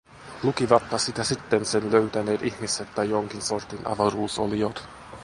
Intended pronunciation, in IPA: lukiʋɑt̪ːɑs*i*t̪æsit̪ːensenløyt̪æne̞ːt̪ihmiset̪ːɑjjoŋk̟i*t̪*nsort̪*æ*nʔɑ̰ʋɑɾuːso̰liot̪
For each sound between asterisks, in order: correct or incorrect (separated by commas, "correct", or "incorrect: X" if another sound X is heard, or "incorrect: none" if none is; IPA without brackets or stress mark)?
correct, incorrect: none, incorrect: i